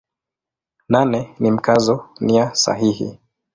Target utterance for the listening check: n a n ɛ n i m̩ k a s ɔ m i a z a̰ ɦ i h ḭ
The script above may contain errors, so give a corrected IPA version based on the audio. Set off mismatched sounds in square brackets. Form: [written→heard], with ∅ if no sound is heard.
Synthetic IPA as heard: n a n ɛ n i m̩ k a [s→z] ɔ [m→n] i a [z→s] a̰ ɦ i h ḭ